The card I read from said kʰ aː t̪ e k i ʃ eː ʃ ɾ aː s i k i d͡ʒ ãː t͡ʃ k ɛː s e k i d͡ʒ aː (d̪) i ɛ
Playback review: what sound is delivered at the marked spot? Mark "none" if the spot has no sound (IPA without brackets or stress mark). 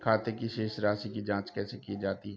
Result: t̪